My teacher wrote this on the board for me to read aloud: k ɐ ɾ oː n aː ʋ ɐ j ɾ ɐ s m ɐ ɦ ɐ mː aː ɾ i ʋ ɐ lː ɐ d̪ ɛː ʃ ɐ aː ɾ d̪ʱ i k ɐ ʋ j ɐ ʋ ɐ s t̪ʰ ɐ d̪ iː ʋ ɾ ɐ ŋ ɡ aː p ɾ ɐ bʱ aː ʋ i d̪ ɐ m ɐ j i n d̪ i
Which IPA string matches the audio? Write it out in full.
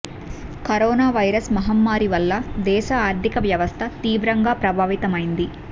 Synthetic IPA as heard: k ɐ ɾ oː n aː ʋ ɐ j ɾ ɐ s m ɐ ɦ ɐ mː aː ɾ i ʋ ɐ lː ɐ d̪ ɛː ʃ ɐ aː ɾ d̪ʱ i k ɐ ʋ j ɐ ʋ ɐ s t̪ʰ ɐ t̪ iː ʋ ɾ ɐ ŋ ɡ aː p ɾ ɐ bʱ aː ʋ i t̪ ɐ m ɐ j i n d̪ i